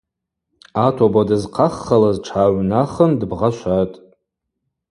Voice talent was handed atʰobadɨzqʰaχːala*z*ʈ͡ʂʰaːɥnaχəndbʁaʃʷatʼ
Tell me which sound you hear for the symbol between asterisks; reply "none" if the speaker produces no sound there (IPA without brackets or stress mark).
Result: z